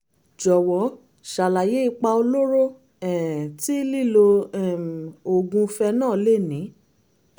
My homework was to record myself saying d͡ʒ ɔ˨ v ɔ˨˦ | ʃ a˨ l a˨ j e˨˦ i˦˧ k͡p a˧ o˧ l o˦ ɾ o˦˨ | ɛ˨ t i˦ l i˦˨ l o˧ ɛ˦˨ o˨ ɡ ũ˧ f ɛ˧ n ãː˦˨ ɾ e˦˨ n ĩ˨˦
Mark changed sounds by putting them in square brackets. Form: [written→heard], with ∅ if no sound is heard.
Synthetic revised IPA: d͡ʒ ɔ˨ [v→w] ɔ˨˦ | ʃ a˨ l a˨ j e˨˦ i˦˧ k͡p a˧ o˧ l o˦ ɾ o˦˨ | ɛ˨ t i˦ l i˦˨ l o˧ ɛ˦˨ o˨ ɡ ũ˧ f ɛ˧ n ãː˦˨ [ɾ→l] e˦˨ n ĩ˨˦